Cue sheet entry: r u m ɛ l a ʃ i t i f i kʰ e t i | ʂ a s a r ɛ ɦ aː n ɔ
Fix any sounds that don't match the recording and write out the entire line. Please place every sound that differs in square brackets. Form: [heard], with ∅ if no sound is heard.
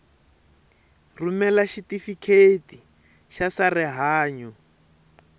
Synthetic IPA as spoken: r u m ɛ l a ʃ i t i f i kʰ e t i | [ʃ] a s a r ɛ ɦ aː [ɲ] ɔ